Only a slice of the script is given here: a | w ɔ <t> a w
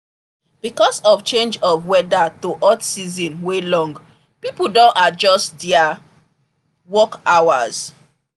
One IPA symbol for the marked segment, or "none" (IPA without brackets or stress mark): k